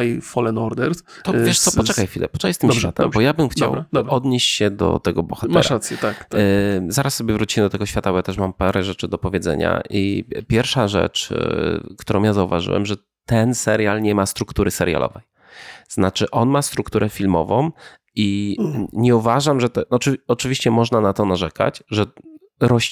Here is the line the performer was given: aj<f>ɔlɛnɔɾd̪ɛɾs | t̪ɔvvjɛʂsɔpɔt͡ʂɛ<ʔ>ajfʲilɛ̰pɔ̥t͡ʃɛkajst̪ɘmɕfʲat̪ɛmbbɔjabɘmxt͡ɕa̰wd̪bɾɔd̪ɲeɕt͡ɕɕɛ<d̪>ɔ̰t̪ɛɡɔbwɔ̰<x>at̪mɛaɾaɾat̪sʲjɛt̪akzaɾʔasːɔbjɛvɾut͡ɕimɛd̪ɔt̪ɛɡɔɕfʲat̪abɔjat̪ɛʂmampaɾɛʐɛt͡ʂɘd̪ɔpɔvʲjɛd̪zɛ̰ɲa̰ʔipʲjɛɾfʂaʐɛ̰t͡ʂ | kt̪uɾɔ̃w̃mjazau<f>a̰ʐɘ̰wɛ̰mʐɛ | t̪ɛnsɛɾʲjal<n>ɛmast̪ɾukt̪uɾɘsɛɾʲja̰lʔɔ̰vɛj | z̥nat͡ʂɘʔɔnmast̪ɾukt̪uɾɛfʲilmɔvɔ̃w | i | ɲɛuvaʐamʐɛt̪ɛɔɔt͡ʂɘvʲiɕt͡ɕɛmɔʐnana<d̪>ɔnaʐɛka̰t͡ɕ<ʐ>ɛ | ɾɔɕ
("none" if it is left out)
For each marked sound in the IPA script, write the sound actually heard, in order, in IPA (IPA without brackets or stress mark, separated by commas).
f, k, d̪, x, v, ɲ, t̪, ʐ